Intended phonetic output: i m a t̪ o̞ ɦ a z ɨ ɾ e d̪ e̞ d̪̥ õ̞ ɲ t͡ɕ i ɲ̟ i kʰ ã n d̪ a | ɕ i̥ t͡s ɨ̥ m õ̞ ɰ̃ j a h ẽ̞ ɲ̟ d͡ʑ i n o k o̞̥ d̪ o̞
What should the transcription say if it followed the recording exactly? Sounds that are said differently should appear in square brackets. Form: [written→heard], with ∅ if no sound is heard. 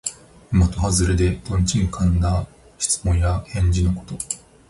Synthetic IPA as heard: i m a t̪ o̞ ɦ a z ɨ ɾ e d̪ e̞ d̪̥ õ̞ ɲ t͡ɕ i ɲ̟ i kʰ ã n d̪ a | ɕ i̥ t͡s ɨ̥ m õ̞ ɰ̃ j a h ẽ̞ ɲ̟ d͡ʑ i n o k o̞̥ [d̪→t̪] o̞